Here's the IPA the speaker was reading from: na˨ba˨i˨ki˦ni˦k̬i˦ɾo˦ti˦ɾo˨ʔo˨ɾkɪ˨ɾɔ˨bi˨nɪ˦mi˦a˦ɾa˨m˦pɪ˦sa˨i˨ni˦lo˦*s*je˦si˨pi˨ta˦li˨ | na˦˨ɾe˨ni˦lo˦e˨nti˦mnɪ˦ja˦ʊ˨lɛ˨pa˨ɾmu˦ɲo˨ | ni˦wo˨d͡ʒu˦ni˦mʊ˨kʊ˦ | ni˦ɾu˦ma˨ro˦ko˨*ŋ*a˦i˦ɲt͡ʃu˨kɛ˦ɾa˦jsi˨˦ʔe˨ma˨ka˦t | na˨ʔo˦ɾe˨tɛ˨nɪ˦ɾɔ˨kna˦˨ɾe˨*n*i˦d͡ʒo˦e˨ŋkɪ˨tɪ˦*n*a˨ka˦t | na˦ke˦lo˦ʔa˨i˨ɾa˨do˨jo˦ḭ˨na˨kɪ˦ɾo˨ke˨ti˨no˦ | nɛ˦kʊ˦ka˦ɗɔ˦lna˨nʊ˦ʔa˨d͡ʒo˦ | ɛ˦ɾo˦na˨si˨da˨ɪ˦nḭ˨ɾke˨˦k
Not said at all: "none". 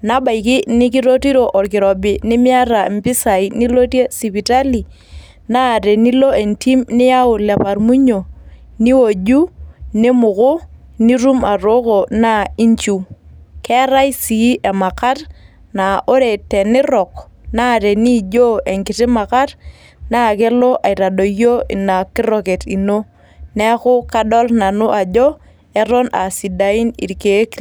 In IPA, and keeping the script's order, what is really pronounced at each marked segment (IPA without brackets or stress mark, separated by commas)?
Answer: t, n, n, m